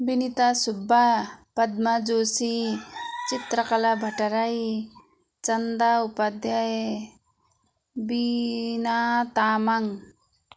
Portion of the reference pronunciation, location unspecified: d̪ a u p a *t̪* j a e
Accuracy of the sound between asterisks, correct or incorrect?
incorrect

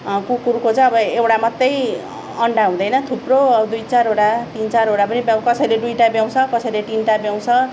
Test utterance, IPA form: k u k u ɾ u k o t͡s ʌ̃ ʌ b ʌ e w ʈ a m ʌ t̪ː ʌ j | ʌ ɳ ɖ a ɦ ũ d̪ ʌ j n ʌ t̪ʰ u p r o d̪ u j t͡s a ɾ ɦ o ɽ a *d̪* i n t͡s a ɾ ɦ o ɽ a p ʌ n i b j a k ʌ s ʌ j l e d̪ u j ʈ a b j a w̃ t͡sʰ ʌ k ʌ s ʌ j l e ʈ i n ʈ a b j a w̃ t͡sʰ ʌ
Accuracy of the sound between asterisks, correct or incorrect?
incorrect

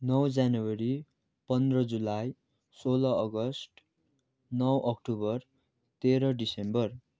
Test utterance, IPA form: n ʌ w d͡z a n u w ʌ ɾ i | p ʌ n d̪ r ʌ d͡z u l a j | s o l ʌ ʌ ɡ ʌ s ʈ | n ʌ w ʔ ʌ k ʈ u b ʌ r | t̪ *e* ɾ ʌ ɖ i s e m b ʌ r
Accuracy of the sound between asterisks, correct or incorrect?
correct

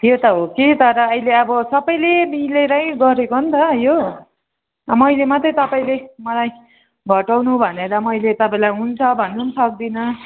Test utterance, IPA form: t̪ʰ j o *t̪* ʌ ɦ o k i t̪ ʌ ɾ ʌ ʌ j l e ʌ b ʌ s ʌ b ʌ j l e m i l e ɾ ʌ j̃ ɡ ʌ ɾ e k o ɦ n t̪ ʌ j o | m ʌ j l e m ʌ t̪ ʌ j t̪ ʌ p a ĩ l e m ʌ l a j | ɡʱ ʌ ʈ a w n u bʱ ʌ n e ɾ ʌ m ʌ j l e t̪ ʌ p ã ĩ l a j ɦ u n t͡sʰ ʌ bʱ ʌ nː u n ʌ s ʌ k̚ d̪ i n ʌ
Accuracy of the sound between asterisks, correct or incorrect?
correct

